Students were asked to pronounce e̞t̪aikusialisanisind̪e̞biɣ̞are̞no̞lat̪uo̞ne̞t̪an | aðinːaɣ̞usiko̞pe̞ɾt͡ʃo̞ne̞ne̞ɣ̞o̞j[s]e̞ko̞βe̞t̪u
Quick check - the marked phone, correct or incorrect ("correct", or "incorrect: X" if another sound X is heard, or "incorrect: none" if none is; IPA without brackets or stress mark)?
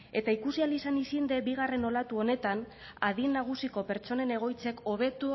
incorrect: t͡s